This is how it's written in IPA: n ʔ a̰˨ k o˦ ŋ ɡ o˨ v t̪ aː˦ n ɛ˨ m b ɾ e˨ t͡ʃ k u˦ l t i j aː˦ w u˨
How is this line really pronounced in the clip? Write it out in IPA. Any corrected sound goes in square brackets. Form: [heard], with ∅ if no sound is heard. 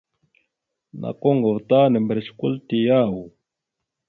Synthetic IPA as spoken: n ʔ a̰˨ k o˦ ŋ ɡ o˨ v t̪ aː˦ n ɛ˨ m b ɾ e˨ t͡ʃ k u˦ l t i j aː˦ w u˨